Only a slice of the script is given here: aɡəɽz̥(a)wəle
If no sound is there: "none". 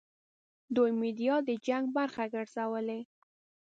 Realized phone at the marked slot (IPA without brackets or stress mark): a